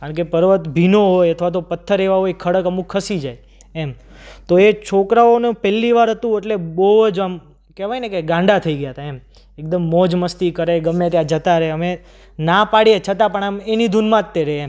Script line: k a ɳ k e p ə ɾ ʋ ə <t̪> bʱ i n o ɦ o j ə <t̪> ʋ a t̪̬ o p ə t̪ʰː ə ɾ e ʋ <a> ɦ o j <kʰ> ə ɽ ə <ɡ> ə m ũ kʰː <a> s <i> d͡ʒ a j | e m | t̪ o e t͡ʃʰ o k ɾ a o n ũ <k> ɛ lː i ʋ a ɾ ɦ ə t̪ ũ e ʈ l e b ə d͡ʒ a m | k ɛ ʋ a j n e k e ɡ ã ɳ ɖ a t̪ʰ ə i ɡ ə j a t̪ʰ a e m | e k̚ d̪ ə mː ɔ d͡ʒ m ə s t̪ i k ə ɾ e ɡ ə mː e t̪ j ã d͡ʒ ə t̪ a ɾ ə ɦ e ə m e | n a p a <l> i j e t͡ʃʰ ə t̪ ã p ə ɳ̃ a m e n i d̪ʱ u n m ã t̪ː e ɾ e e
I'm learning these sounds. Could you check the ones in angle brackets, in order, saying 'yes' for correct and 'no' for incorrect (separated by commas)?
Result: yes, no, yes, yes, no, no, yes, no, no